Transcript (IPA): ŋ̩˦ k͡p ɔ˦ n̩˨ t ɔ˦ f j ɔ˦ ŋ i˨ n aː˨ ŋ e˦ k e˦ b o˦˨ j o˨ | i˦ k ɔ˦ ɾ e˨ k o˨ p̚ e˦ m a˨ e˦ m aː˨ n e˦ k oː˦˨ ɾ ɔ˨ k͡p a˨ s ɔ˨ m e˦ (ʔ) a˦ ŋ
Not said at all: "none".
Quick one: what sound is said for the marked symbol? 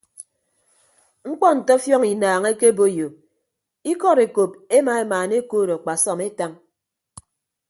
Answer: t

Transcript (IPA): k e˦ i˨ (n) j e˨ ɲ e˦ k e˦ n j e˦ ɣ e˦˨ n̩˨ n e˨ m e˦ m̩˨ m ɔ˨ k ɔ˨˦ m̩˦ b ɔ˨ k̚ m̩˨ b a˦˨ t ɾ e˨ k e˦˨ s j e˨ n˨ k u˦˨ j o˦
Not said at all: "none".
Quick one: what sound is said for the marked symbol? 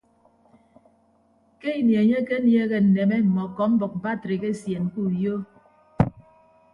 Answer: n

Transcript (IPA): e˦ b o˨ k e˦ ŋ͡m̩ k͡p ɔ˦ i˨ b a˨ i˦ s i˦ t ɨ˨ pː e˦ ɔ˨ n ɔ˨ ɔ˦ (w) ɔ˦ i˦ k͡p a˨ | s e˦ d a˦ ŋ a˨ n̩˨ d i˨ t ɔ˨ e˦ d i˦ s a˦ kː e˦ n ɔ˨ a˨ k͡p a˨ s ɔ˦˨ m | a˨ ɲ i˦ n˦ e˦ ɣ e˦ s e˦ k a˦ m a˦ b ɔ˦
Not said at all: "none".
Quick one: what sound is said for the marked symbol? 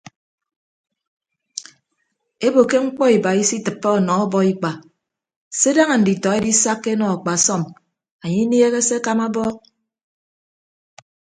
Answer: b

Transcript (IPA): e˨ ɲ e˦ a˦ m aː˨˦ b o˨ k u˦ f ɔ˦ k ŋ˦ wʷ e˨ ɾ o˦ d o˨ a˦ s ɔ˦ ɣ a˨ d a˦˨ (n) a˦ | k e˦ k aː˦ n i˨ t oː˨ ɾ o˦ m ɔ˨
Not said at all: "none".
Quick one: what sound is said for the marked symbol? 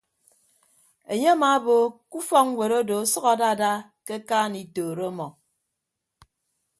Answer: d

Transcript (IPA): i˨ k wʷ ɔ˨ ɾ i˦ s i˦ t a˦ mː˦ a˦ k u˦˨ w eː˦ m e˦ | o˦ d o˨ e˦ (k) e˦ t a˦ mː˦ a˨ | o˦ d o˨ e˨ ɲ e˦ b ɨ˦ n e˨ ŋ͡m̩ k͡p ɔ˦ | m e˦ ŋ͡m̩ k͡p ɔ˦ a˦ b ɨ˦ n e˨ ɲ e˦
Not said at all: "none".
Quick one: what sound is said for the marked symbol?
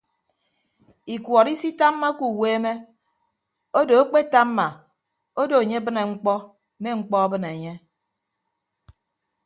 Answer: k͡p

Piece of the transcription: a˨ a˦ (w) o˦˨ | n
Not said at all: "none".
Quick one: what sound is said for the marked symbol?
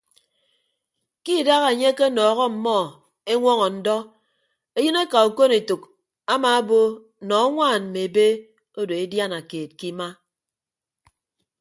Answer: b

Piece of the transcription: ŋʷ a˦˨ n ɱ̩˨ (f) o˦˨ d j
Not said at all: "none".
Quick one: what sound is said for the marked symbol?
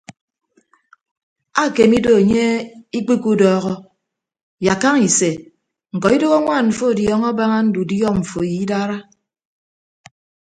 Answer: f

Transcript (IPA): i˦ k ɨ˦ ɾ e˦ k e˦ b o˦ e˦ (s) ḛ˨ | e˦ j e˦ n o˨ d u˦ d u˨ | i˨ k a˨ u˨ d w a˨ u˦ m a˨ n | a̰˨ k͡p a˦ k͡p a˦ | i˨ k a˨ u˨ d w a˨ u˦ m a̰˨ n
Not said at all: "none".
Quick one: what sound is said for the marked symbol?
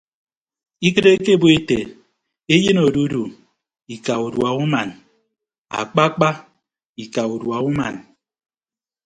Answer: t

